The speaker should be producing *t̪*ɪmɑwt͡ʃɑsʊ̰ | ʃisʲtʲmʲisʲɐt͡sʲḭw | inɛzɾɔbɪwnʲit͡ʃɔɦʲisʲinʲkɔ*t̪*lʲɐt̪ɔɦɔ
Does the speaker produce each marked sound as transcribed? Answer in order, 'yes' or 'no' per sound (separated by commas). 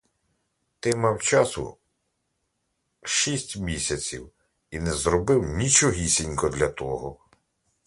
yes, no